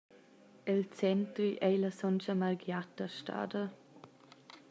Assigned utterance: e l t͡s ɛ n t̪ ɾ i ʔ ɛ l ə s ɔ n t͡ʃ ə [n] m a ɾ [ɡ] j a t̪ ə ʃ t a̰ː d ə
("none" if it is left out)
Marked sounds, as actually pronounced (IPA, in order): none, ɡ

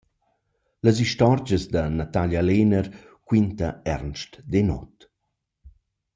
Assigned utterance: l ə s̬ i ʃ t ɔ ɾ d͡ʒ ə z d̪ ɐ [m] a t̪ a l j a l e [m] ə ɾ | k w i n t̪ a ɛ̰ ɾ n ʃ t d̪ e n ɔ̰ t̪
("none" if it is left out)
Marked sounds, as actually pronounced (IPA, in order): n, n

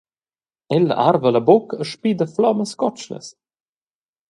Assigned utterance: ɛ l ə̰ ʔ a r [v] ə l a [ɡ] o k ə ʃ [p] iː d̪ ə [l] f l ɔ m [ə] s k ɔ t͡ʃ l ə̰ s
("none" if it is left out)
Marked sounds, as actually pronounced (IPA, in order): v, b, p, none, ə

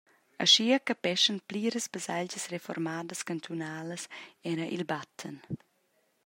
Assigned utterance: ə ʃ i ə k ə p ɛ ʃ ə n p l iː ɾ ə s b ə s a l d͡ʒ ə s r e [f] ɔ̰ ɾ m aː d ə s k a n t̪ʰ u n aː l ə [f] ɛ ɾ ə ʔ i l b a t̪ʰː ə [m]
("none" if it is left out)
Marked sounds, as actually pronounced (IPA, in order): f, s, n

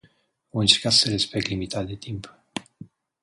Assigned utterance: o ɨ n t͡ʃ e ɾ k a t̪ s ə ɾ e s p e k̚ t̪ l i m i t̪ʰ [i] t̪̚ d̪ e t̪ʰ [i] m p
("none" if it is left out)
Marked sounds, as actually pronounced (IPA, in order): a, i

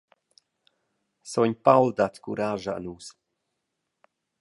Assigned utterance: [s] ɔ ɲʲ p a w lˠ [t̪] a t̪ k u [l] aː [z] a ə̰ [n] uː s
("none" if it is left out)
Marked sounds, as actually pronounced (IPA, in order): s, d̪, ɾ, ʒ, n

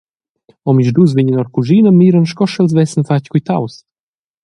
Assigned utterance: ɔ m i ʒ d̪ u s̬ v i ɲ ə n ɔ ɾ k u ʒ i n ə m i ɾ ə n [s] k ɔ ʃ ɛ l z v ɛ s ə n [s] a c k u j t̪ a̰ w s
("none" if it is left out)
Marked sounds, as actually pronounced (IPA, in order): ʃ, f

